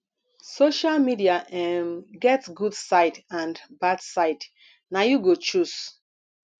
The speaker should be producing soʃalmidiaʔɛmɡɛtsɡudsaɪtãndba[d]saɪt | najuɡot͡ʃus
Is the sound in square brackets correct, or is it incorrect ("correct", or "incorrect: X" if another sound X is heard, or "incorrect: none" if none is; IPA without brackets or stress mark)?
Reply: correct